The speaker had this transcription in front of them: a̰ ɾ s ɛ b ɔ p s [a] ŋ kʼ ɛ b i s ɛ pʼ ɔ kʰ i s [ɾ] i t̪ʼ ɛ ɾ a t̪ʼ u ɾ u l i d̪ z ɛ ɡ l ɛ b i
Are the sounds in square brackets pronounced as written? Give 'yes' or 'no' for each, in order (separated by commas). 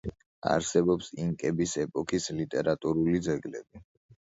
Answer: no, no